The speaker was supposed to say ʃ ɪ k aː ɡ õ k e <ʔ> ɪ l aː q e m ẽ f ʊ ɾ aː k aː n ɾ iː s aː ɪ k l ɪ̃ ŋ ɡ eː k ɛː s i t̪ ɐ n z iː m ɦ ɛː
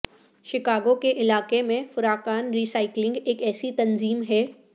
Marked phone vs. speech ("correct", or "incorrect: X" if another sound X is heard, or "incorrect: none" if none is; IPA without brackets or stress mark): correct